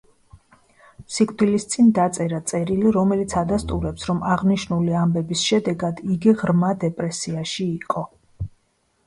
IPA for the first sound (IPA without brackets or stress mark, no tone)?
s